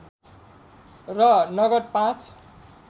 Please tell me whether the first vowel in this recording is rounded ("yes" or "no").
no